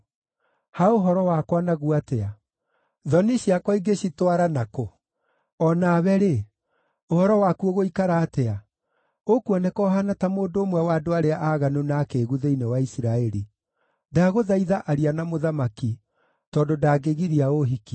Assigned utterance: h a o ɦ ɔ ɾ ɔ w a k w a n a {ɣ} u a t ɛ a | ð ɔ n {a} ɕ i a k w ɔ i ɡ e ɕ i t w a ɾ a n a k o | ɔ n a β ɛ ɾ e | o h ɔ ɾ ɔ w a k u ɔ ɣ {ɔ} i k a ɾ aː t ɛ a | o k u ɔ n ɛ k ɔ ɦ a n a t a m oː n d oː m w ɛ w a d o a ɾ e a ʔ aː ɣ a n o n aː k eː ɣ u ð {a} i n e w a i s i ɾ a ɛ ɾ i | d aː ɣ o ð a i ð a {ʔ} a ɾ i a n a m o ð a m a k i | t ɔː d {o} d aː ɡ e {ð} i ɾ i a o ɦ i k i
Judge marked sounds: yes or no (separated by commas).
yes, no, no, no, yes, yes, no